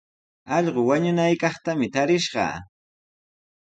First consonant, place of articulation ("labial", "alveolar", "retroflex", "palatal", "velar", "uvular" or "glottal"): palatal